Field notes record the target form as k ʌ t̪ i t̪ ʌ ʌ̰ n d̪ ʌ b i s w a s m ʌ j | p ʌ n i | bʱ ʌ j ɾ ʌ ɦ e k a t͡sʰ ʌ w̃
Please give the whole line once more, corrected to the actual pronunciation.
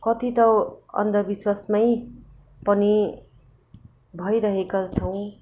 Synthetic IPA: k ʌ t̪ i t̪ ʌ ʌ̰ n d̪ ʌ b i s w a s m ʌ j | p ʌ n i | bʱ ʌ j ɾ ʌ ɦ e k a t͡sʰ ʌ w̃